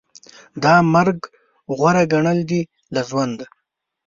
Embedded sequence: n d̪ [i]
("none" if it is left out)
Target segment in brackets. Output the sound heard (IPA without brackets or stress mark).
a